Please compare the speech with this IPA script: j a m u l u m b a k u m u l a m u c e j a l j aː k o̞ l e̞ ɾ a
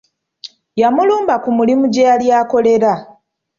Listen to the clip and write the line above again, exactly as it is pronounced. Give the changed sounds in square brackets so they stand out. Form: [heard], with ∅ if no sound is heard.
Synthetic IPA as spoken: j a m u l [uː] m b a k u m u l [i] m u [ɟ] e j a l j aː k o̞ l e̞ ɾ a